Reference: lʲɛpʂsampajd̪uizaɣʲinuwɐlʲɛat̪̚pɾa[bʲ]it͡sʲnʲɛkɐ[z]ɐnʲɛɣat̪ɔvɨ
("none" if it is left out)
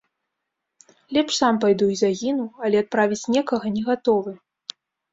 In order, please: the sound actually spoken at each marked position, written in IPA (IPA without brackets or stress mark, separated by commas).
vʲ, ɣ